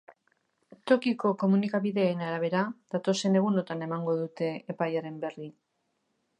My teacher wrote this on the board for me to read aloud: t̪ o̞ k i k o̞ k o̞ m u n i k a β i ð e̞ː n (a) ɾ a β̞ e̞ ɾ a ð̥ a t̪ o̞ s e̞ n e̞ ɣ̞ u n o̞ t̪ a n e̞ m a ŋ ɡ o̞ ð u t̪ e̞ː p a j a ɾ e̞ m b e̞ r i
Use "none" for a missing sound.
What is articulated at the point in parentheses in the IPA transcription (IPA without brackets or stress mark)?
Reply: a